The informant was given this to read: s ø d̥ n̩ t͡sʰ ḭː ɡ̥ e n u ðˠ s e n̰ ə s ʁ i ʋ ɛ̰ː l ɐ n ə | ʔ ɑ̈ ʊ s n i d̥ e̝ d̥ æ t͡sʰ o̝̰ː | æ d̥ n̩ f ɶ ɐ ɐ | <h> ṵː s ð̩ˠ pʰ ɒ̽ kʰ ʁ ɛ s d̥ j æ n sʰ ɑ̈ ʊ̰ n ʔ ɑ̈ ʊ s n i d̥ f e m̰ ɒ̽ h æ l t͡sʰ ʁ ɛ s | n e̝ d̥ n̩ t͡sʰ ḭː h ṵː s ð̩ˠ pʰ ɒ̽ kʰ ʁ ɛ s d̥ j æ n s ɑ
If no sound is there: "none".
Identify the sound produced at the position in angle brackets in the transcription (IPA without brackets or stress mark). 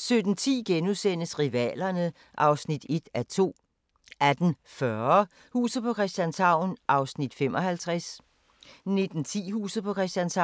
h